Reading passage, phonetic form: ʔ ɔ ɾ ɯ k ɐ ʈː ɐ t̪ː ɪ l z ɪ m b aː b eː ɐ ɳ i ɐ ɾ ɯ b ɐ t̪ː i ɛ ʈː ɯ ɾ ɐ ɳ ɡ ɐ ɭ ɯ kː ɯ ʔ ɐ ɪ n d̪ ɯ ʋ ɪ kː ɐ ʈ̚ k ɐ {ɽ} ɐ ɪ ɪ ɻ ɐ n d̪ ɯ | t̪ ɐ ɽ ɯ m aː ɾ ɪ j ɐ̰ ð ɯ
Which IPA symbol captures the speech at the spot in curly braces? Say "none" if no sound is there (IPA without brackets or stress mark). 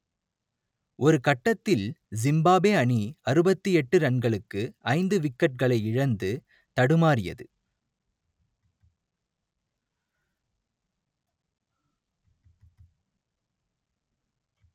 ɭ